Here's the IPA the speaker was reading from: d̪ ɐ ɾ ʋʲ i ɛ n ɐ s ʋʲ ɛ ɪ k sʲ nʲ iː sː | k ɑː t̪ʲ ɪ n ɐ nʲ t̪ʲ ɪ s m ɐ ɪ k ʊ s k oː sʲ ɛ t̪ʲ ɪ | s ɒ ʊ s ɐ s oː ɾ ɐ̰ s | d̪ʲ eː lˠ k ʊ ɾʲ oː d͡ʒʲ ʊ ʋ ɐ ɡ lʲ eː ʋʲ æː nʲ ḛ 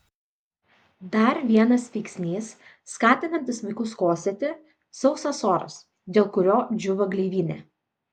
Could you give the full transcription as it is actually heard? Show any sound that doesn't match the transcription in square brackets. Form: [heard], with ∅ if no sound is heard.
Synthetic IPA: d̪ ɐ ɾ ʋʲ i ɛ n ɐ s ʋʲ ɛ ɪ k sʲ nʲ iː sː | k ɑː t̪ʲ ɪ n ɐ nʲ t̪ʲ ɪ s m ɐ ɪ k ʊ s k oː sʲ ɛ t̪ʲ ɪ | s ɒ ʊ s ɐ s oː ɾ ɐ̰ s | d̪ʲ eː lˠ k ʊ ɾʲ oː d͡ʒʲ ʊ ʋ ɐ ɡ lʲ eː ʋʲ [iː] nʲ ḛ